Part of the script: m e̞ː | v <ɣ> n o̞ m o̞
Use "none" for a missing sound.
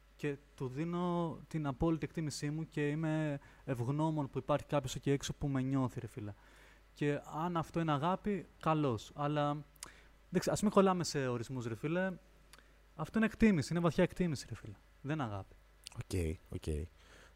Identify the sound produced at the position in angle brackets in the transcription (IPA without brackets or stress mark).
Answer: ɣ